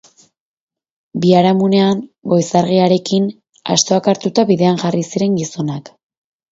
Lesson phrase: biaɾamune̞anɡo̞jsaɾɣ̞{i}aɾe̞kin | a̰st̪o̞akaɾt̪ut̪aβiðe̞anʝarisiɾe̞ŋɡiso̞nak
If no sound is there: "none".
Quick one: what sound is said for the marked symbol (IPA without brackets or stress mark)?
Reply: i